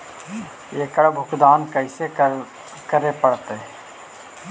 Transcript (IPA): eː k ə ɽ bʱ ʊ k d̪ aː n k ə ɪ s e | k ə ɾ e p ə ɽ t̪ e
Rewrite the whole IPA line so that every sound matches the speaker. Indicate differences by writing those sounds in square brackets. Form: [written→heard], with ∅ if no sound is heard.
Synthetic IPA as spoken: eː k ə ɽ bʱ ʊ k d̪ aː n k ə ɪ s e | k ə ɾ e p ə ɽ t̪ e